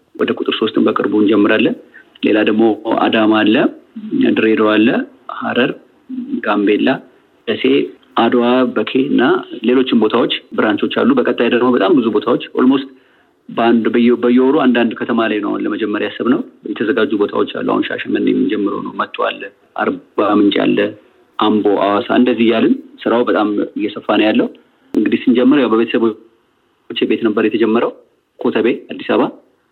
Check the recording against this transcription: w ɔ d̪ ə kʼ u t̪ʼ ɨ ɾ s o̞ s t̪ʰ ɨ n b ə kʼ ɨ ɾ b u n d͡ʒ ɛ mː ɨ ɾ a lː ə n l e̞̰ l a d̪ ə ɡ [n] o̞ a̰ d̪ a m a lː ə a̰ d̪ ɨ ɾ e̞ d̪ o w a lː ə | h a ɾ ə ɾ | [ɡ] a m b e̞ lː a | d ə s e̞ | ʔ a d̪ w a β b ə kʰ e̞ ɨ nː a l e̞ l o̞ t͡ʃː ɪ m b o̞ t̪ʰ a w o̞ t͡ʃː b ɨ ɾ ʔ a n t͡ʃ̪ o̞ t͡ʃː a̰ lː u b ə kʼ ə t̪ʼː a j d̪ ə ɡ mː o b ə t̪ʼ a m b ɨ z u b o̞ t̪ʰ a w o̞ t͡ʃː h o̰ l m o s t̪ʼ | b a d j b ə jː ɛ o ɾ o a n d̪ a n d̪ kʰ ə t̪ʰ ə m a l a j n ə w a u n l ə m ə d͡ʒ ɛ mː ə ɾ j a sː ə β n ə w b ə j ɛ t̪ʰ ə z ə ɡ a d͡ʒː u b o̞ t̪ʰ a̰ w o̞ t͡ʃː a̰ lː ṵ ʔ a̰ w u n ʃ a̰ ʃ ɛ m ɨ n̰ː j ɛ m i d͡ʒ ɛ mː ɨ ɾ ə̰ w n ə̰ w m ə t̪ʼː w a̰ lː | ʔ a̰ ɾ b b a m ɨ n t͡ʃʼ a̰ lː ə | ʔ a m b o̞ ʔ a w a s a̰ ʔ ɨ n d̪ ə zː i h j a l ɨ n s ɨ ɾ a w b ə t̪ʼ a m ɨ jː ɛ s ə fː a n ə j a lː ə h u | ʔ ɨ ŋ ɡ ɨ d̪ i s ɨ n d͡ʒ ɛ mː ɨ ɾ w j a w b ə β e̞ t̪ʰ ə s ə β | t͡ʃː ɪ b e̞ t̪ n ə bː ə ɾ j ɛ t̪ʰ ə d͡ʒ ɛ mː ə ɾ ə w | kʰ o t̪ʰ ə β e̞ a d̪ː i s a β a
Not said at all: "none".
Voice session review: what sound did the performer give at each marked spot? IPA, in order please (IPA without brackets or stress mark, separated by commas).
m, ɡ